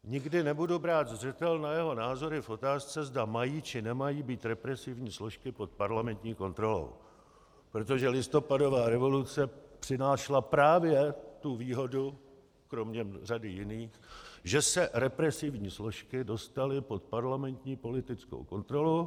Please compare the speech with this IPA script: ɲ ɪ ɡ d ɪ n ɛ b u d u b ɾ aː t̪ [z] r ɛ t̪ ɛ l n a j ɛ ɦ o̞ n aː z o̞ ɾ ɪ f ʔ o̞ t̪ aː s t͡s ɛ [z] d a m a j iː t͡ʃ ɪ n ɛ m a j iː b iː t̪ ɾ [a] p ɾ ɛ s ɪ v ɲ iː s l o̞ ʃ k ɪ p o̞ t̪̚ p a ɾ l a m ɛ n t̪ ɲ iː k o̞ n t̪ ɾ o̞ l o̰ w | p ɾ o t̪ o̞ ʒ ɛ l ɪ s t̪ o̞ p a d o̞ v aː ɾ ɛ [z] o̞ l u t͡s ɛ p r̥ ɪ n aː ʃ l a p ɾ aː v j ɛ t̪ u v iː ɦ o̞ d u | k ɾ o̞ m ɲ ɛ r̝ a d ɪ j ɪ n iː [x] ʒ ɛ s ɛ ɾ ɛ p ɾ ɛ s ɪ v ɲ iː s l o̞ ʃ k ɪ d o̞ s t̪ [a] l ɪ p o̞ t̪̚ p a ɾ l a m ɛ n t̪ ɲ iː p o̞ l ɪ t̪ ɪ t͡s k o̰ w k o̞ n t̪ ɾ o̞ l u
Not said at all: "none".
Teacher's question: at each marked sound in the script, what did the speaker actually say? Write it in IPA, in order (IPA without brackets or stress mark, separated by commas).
z, z, ɛ, v, x, a